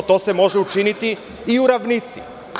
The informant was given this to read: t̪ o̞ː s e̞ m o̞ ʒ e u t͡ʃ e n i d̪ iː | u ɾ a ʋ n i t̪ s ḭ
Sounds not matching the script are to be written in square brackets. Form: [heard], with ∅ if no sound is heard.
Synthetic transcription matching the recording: t̪ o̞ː s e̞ m o̞ ʒ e u t͡ʃ [i] n i [t̪] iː | u ɾ a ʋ n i t̪ s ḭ

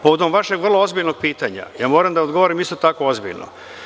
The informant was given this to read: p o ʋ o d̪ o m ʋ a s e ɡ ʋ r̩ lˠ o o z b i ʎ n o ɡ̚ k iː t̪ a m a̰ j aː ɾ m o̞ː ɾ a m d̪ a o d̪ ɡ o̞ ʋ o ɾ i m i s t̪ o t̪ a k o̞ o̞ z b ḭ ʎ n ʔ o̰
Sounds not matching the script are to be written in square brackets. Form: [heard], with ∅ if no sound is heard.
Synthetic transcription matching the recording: p o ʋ o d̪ o m ʋ a [ʃ] e ɡ ʋ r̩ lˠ o o z b i ʎ n o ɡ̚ [p] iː t̪ a [ɲ] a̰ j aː [∅] m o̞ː ɾ a m d̪ a o d̪ ɡ o̞ ʋ o ɾ i m i s t̪ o t̪ a k o̞ o̞ z b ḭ ʎ n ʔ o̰

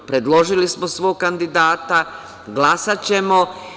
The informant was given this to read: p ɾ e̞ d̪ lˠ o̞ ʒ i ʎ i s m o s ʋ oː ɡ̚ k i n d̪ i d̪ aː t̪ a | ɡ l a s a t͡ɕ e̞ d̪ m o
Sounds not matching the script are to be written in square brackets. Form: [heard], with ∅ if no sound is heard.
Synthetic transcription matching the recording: p ɾ e̞ d̪ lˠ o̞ ʒ i [l] i s m o s ʋ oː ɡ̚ k [a] n d̪ i d̪ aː t̪ a | ɡ l a s a t͡ɕ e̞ [∅] m o

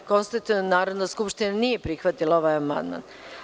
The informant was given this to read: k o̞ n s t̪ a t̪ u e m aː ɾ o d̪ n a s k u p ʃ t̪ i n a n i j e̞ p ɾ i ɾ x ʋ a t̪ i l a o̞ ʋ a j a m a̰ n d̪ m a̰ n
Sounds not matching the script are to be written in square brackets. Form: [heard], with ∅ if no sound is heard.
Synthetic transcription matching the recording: k o̞ n s t̪ a t̪ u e [n] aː ɾ o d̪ n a s k u p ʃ t̪ i n a n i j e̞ p ɾ i [∅] x ʋ a t̪ i l a o̞ ʋ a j a m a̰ n d̪ m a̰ n

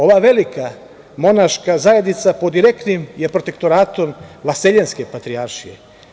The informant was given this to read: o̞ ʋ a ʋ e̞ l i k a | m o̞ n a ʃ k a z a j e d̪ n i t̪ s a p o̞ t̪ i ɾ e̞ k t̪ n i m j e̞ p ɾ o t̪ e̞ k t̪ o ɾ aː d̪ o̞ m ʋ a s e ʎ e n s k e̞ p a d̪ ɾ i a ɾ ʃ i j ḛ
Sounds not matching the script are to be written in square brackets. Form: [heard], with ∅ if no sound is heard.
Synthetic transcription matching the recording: o̞ ʋ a ʋ e̞ l i k a | m o̞ n a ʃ k a z a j e d̪ n i t̪ s a p o̞ [d̪] i ɾ e̞ k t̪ n i m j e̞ p ɾ o t̪ e̞ k t̪ o ɾ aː [t̪] o̞ m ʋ a s e ʎ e n s k e̞ p a [t̪] ɾ i a ɾ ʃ i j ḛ

